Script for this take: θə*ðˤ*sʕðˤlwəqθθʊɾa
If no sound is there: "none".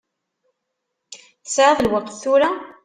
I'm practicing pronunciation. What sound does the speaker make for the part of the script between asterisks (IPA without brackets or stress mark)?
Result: none